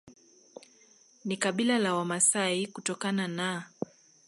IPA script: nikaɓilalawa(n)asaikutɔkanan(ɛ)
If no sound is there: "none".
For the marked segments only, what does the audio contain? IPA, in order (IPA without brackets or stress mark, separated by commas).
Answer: m, a